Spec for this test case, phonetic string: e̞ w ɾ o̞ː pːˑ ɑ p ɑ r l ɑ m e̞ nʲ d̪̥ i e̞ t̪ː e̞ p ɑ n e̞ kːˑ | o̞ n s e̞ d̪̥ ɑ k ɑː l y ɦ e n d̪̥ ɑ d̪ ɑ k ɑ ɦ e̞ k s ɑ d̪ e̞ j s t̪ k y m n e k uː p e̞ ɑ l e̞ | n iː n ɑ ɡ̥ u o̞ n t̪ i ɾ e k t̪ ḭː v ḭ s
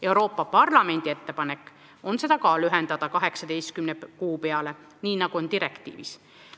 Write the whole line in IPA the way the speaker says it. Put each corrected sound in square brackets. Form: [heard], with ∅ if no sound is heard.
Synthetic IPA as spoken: e̞ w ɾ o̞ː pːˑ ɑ p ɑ r l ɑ m e̞ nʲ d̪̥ i e̞ t̪ː e̞ p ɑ n e̞ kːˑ | o̞ n s e̞ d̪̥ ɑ k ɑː l y ɦ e n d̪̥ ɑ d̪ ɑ k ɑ ɦ e̞ k s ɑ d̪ e̞ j s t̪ k y m n e k uː p e̞ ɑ l e̞ | n iː n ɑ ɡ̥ u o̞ n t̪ i ɾ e k t̪ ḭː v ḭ s